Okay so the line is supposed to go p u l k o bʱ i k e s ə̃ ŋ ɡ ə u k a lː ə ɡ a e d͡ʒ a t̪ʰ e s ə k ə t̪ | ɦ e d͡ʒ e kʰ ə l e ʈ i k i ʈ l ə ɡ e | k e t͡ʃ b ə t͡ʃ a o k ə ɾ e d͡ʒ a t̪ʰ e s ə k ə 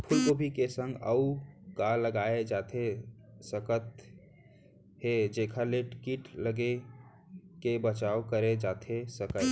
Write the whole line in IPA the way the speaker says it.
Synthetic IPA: pʰ u l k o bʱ i k e s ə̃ ŋ ɡ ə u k a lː ə ɡ a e d͡ʒ a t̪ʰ e s ə k ə t̪ | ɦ e d͡ʒ e kʰ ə l e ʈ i k i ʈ l ə ɡ e | k e b ə t͡ʃ a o k ə ɾ e d͡ʒ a t̪ʰ e s ə k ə